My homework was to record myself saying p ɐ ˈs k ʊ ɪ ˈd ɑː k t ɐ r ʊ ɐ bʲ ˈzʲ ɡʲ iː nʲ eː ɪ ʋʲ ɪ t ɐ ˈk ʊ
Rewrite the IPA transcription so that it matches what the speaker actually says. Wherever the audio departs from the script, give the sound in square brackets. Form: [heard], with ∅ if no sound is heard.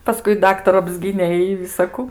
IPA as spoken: p ɐ ˈs k ʊ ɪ ˈd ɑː k t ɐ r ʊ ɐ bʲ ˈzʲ ɡʲ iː nʲ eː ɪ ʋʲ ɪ [s] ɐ ˈk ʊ